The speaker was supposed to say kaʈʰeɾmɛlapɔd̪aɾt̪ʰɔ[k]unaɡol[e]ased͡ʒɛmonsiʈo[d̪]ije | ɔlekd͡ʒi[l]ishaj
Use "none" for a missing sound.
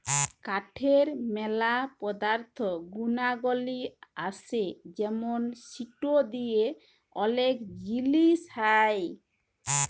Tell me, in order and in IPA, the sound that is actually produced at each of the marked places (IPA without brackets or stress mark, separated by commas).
ɡ, i, d̪, l